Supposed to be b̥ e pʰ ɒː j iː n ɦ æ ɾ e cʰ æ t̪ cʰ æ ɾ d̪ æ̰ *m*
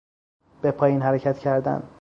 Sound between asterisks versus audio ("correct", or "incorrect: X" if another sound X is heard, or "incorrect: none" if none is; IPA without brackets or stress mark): incorrect: n